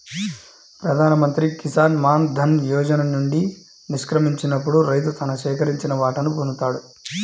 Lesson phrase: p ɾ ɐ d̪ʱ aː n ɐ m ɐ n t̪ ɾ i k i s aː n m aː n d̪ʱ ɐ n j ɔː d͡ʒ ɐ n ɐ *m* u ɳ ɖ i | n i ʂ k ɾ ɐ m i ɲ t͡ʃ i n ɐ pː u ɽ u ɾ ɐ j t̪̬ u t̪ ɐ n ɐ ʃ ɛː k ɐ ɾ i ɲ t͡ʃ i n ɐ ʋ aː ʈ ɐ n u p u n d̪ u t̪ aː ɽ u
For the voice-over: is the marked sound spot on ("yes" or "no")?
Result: no